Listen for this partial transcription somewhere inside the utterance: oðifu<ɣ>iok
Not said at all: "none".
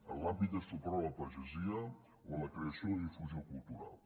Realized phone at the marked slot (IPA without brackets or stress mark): z